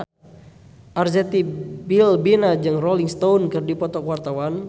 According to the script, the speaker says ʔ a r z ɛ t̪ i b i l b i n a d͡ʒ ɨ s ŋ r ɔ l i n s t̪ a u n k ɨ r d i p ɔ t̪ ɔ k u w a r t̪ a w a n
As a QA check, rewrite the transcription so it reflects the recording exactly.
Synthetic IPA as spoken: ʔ a r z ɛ t̪ i b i l b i n a d͡ʒ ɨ ŋ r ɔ l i ŋ s t̪ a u n k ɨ r d i p ɔ t̪ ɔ k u w a r t̪ a w a n